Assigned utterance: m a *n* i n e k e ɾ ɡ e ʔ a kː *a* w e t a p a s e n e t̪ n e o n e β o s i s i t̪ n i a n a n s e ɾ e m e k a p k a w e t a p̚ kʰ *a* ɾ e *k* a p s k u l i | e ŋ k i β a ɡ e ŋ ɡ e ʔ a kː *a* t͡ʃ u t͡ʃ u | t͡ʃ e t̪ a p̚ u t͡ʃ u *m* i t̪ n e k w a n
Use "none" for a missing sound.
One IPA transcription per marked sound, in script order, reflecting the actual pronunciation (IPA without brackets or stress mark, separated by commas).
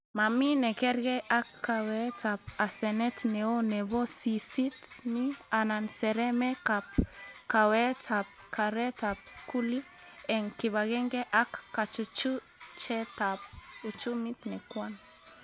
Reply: m, a, a, t, a, m